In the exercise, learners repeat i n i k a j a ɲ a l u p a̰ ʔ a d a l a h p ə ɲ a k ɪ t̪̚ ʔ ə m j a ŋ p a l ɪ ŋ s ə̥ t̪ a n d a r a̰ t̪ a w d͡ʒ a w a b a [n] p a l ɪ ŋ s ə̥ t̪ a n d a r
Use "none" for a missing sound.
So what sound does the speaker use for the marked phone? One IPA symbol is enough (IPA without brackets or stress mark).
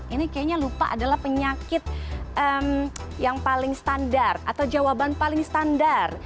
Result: n